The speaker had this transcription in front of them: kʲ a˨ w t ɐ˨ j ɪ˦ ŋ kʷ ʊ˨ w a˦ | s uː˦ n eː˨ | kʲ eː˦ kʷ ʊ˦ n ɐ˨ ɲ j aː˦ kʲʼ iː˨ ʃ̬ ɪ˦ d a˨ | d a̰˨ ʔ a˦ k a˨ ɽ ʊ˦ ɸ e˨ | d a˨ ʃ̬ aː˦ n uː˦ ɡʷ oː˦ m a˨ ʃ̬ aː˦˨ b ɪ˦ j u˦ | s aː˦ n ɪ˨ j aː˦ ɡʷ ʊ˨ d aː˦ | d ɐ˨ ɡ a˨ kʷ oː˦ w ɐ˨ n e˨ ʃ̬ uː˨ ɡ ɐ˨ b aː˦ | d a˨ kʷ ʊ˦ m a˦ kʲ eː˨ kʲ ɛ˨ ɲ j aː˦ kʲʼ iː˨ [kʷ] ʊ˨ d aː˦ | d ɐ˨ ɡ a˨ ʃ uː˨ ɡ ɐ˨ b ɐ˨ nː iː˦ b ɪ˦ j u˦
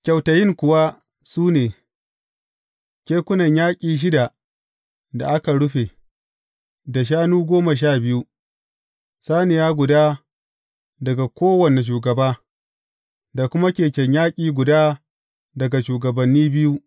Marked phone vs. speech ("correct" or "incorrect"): incorrect